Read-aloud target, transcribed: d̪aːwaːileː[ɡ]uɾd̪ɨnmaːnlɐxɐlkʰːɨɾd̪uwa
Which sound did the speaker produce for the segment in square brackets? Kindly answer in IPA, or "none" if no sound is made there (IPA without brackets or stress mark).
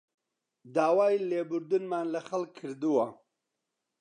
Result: b